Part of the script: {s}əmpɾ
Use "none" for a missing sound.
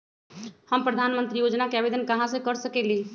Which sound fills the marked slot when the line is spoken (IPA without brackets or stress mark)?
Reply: h